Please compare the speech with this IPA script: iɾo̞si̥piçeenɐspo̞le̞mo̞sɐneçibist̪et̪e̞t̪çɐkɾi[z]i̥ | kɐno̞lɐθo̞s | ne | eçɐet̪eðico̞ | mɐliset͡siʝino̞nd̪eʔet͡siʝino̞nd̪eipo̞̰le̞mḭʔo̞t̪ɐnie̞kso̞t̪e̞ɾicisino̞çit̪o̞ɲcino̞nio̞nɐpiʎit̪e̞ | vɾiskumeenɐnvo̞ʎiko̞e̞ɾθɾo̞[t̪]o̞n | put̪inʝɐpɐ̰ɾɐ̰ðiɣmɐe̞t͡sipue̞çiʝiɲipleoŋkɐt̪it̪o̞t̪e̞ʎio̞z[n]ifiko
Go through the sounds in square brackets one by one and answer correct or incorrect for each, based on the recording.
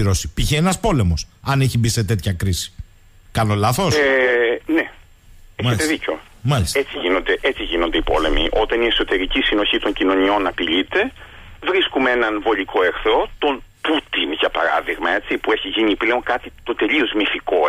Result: incorrect: s, correct, incorrect: m

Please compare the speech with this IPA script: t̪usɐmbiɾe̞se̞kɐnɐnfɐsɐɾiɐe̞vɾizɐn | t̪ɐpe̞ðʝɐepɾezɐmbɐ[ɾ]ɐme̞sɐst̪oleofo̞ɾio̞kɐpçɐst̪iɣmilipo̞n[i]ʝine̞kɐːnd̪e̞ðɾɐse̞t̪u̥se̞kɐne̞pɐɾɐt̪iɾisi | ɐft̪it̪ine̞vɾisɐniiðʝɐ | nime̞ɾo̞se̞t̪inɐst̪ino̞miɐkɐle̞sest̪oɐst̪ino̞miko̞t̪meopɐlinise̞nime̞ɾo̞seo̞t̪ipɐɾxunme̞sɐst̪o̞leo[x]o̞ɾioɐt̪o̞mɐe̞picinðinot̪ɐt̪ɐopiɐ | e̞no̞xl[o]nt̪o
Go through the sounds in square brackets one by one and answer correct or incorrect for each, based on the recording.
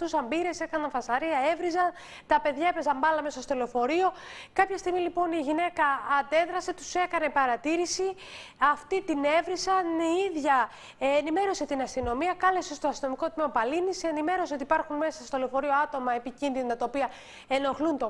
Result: incorrect: l, correct, incorrect: f, incorrect: u

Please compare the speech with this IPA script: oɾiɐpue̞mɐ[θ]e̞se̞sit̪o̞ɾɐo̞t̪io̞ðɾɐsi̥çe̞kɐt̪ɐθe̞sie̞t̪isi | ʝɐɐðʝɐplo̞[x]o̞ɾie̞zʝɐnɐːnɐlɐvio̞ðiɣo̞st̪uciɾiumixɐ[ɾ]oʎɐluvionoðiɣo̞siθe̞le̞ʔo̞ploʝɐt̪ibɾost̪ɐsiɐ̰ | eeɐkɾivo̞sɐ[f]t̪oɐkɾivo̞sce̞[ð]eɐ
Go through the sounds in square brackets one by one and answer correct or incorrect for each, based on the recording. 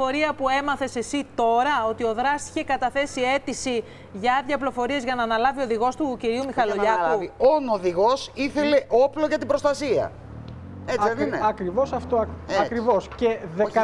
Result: correct, incorrect: f, incorrect: l, correct, correct

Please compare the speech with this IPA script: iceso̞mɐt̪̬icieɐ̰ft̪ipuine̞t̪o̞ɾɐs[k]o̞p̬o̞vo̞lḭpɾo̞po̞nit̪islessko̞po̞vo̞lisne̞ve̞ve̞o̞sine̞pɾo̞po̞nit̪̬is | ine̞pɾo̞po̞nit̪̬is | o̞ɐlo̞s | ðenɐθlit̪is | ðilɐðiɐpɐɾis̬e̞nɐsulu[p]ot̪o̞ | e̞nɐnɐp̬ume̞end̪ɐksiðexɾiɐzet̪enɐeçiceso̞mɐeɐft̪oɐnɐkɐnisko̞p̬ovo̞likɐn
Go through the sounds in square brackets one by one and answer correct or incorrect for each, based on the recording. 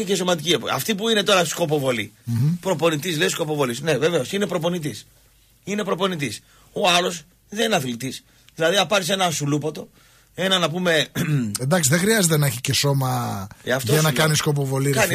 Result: correct, correct

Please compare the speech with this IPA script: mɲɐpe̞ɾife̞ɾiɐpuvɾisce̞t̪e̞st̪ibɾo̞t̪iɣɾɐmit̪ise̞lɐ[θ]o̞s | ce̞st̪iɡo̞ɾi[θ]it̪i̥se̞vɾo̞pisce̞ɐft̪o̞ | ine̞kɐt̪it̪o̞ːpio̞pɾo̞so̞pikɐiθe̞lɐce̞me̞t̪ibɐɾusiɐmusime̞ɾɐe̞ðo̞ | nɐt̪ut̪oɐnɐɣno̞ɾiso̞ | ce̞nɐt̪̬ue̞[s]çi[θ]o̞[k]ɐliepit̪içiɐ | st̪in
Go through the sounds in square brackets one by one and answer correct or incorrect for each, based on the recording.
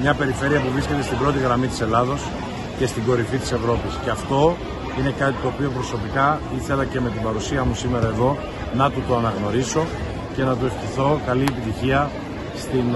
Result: incorrect: ð, incorrect: f, incorrect: f, correct, correct

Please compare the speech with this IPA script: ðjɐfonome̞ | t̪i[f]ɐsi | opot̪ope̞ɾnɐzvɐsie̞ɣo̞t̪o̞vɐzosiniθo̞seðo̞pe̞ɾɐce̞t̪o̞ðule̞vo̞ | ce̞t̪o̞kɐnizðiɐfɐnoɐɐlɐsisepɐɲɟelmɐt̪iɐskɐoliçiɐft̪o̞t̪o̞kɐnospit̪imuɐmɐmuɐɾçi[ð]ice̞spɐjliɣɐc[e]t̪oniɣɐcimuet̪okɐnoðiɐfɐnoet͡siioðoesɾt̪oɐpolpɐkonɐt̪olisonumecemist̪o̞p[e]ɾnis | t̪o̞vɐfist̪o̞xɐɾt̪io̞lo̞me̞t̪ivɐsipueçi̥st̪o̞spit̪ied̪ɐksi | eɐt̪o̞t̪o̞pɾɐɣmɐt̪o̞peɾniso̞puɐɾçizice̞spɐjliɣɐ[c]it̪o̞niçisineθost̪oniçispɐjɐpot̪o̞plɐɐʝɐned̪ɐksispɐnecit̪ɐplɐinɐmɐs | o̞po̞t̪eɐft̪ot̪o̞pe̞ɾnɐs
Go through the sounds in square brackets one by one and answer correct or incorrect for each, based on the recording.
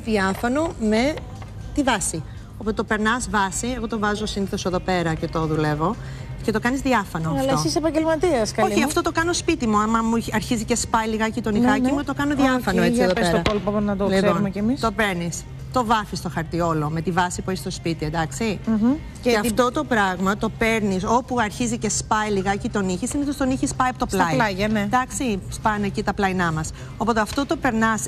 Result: incorrect: v, incorrect: z, incorrect: i, correct, correct

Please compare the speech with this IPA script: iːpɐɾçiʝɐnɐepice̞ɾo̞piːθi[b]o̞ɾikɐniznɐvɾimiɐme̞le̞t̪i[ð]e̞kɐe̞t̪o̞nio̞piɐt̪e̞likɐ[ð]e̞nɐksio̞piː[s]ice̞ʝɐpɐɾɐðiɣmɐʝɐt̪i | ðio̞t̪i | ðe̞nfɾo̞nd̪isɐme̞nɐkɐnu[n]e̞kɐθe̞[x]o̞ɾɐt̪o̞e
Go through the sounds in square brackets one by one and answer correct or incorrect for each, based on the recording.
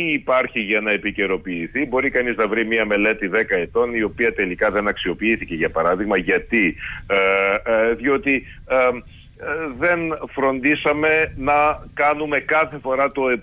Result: correct, correct, correct, incorrect: θ, incorrect: m, incorrect: f

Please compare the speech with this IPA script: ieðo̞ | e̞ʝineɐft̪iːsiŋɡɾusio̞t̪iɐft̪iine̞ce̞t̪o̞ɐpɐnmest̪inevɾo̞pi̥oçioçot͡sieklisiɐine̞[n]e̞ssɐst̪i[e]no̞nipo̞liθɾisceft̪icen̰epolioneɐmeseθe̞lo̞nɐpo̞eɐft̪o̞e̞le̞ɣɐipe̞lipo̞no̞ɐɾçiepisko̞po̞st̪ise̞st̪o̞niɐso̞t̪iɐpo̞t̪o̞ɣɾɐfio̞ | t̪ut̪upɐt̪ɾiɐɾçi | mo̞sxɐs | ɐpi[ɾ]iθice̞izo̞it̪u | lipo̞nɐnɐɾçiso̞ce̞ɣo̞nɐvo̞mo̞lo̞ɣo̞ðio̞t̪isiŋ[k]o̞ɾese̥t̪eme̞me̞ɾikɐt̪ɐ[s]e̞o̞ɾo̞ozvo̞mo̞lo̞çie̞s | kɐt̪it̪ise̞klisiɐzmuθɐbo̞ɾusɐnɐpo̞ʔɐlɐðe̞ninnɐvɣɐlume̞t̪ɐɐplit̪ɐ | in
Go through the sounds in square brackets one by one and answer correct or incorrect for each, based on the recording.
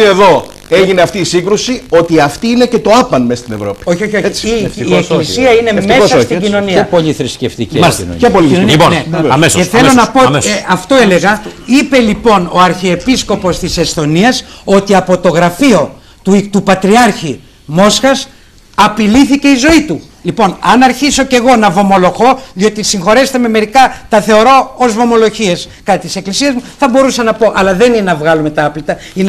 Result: incorrect: m, incorrect: i, incorrect: l, incorrect: x, incorrect: θ

